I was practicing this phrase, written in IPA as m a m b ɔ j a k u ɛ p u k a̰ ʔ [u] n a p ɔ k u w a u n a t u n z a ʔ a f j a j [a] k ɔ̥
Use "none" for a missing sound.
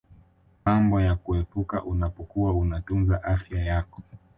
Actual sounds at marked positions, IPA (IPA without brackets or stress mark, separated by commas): u, a